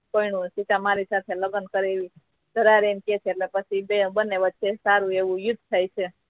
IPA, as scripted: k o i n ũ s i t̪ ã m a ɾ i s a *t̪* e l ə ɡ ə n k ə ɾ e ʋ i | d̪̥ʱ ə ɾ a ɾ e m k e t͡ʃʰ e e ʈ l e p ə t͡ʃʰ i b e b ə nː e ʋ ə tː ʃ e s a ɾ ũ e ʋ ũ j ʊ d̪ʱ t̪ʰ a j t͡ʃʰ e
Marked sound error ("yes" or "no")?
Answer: yes